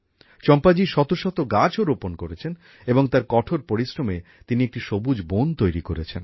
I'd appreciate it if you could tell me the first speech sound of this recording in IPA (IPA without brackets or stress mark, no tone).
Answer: t͡ɕ